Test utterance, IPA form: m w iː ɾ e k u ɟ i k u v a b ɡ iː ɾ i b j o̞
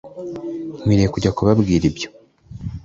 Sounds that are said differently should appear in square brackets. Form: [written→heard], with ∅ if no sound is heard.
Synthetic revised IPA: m w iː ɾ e k u ɟ [i→a] k u [v→β] a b ɡ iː ɾ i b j o̞